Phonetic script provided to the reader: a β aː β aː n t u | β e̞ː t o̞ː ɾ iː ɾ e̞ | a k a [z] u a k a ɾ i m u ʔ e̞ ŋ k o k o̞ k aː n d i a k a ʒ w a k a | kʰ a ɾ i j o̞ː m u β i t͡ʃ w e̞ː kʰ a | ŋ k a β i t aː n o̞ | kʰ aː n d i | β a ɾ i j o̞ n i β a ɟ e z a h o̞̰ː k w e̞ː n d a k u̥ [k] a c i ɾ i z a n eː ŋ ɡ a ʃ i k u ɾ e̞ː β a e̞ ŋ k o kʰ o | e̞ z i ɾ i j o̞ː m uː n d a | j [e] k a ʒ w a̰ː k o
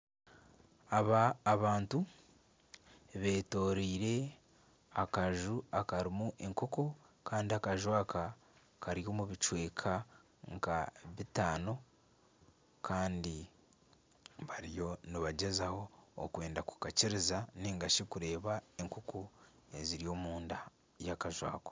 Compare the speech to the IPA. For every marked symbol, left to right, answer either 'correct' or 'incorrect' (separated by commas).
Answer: incorrect, correct, incorrect